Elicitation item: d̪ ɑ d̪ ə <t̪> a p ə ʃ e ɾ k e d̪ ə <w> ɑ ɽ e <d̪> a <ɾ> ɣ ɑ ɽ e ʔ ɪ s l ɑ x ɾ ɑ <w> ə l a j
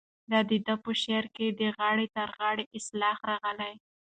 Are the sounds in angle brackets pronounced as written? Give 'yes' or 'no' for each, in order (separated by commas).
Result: no, no, no, yes, no